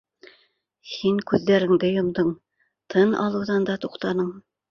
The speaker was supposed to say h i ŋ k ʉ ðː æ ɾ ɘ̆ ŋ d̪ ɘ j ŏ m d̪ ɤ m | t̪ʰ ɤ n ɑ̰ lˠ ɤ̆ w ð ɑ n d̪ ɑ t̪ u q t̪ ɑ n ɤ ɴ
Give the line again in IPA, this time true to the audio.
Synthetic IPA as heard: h i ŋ k ʉ ðː æ ɾ ɘ̆ ŋ d̪ ɘ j ŏ m d̪ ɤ ɴ | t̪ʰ ɤ n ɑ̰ lˠ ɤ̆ w ð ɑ n d̪ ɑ t̪ u q t̪ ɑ n ɤ ɴ